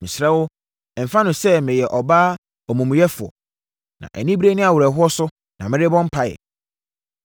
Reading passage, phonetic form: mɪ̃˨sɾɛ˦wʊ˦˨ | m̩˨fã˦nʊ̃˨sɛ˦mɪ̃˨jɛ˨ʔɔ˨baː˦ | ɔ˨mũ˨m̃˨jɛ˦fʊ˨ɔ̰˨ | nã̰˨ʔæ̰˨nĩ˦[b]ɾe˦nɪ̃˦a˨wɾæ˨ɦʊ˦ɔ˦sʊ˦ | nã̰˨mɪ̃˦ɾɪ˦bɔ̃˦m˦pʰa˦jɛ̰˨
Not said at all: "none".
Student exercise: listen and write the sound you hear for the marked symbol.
b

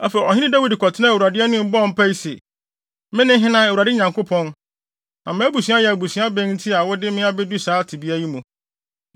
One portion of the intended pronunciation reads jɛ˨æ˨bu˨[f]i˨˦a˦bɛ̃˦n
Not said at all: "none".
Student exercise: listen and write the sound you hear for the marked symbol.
s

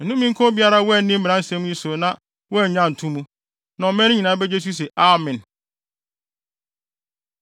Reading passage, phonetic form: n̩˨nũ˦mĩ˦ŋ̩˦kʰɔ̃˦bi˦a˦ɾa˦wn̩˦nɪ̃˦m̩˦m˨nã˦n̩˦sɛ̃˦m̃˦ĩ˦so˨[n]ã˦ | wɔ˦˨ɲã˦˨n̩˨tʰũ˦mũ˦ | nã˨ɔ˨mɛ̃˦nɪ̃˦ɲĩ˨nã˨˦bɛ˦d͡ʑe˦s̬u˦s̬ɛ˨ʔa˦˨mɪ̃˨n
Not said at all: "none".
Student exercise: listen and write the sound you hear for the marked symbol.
n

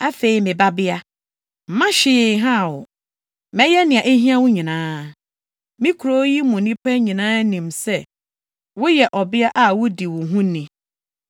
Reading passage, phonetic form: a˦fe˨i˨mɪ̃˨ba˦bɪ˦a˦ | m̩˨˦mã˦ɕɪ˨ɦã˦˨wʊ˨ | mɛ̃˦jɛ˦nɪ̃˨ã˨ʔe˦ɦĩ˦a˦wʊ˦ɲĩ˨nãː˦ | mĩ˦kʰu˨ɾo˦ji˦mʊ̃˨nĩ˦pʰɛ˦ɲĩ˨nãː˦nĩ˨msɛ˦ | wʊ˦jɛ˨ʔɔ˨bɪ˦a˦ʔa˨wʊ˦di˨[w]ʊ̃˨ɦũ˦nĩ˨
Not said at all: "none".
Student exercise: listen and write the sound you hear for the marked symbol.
w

